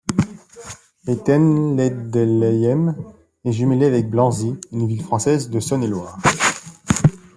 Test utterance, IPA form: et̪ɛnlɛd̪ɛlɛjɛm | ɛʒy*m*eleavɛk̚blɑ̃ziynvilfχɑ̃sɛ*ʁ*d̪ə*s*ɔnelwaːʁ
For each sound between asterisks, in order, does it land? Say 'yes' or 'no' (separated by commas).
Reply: yes, no, yes